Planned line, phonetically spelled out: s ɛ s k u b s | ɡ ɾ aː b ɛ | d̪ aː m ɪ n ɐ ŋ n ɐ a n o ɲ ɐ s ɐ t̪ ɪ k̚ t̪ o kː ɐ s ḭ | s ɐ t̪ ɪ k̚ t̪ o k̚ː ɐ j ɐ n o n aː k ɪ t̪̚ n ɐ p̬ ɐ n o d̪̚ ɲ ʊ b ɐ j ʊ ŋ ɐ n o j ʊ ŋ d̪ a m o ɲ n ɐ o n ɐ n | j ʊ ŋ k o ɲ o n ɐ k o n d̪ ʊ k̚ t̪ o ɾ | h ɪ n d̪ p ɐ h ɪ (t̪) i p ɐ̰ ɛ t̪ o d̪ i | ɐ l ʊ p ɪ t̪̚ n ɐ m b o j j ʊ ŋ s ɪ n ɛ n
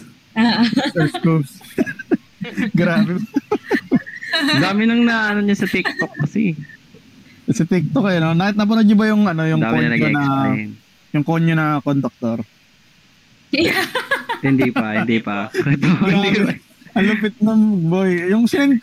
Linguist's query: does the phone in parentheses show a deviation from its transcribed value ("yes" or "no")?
yes